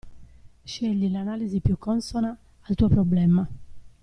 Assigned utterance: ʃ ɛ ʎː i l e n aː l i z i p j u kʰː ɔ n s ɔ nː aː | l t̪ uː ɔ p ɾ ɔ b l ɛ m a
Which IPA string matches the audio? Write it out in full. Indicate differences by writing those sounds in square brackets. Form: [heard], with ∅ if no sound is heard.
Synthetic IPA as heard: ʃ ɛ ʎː i l [a] n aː l i z i p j u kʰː ɔ n s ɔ [n] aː | l t̪ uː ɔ p ɾ ɔ b l ɛ m a